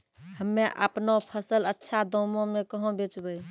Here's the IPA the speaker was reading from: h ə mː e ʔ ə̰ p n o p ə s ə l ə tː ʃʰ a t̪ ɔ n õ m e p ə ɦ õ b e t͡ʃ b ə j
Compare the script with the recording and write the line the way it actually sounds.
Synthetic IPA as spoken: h ə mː e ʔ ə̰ p n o pʰ ə s ə l ə tː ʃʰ a d̪ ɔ m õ m e k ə ɦ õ b e t͡ʃ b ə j

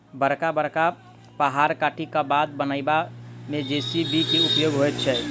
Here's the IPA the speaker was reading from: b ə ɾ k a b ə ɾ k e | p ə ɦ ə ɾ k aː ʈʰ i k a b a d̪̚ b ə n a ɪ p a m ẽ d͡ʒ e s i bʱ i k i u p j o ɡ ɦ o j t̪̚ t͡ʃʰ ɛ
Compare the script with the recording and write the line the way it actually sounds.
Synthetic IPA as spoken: b ə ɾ k a b ə ɾ k a | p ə ɦ a ɾ k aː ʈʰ i k a b a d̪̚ b ə n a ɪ b a m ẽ d͡ʒ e s i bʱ i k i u p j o ɡ ɦ o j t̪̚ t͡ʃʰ ɛ

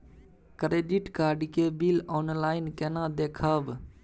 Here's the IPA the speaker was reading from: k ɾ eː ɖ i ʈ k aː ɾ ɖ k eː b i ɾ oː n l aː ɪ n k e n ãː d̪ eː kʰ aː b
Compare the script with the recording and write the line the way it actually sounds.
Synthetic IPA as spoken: k ɾ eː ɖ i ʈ k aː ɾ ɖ k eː b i l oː n l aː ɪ n k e n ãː d̪ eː kʰ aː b

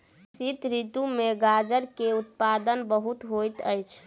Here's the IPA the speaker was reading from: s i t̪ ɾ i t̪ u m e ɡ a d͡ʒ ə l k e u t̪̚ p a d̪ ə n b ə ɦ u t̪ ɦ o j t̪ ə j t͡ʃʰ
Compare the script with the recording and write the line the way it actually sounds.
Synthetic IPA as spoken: s i t̪ ɾ i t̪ u m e ɡ a d͡ʒ ə ɾ k e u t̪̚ p a d̪ ə n b ə ɦ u t̪ ɦ o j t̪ ə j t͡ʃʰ

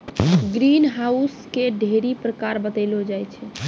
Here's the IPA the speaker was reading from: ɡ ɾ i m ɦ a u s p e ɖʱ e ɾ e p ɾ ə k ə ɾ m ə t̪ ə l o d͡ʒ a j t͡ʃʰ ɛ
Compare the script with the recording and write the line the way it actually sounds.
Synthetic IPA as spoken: ɡ ɾ i n ɦ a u s k e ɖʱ e ɾ i p ɾ ə k a ɾ b ə t̪ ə l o d͡ʒ a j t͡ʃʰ ɛ

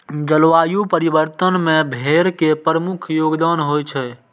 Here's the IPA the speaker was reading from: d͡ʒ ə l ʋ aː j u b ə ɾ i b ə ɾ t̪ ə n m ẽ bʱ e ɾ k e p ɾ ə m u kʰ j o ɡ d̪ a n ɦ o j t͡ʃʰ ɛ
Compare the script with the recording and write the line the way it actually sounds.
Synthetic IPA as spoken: d͡ʒ ə l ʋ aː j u p ə ɾ i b ə ɾ t̪ ə n m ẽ bʱ e ɾ k e p ɾ ə m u kʰ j o ɡ d̪ a n ɦ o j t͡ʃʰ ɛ

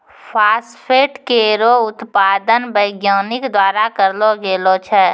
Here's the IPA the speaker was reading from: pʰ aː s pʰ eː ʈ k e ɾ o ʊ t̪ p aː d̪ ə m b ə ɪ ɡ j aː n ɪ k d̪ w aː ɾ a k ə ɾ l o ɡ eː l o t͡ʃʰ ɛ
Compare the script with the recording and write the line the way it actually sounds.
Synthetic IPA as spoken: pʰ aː s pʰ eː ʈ k e ɾ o ʊ t̪ p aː d̪ ə n b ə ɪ ɡ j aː n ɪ k d̪ w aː ɾ a k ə ɾ l o ɡ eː l o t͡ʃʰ ɛ

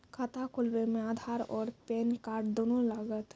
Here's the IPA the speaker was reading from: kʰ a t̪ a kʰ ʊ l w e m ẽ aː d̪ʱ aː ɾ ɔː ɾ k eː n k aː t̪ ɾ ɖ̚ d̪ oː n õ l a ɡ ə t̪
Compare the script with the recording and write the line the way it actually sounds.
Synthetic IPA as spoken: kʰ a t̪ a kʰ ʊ l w e m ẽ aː d̪ʱ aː ɾ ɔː ɾ p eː n k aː ɾ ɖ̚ d̪ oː n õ l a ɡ ə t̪

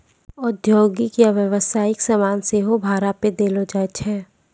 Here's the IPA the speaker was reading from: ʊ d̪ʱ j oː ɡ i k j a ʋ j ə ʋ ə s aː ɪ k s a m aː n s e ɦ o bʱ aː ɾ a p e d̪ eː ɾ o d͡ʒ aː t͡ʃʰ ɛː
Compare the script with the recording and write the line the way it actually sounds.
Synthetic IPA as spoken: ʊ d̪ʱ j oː ɡ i k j a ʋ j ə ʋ ə s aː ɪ k s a m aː n s e ɦ o bʱ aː ɾ a p e d̪ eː l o d͡ʒ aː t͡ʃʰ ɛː

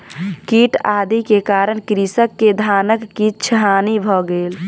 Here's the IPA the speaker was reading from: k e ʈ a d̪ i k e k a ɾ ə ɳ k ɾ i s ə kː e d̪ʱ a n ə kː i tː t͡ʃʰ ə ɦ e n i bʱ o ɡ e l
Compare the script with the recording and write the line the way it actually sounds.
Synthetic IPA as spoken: k i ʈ a d̪ i k e k a ɾ ə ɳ k ɾ i s ə kː e d̪ʱ a n ə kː i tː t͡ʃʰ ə ɦ a n i bʱ ɔ ɡ e l

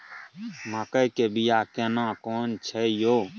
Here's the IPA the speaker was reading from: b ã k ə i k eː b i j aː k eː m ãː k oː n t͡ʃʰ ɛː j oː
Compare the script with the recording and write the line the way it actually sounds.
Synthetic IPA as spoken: m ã k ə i k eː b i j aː k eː n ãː k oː n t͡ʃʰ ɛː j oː

